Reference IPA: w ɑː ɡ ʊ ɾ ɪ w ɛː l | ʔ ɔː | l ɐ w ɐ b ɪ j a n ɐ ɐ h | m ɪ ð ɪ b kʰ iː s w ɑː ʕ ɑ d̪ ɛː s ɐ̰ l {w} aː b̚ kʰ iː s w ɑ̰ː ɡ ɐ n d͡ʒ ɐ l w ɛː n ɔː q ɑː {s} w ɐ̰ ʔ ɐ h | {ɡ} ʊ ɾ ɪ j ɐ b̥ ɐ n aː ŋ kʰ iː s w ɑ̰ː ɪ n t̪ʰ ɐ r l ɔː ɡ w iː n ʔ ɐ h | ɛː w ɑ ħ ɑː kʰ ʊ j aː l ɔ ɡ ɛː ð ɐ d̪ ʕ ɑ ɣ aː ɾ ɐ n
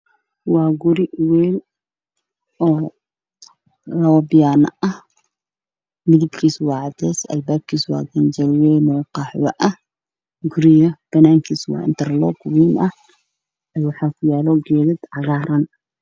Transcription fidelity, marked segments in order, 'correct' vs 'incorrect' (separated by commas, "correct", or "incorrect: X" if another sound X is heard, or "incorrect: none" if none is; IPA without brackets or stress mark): incorrect: b, incorrect: ħ, correct